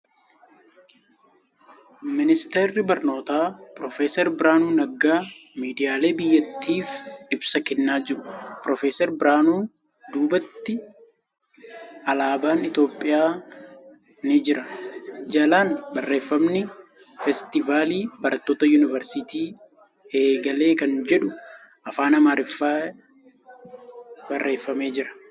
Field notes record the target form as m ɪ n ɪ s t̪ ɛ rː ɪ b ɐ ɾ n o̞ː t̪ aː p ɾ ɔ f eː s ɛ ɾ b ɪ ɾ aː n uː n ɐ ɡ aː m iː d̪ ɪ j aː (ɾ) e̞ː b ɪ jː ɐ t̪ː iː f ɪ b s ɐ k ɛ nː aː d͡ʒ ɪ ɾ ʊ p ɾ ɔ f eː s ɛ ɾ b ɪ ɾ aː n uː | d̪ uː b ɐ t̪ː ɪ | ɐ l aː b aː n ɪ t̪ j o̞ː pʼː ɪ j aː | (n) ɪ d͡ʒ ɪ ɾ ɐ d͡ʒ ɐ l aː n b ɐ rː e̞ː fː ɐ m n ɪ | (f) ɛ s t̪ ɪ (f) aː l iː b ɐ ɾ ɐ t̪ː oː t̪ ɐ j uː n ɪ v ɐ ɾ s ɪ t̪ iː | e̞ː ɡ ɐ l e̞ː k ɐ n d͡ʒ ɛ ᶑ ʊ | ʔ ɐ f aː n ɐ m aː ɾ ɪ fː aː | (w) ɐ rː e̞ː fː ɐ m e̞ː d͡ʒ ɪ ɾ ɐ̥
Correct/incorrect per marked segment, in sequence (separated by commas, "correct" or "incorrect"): incorrect, correct, correct, incorrect, incorrect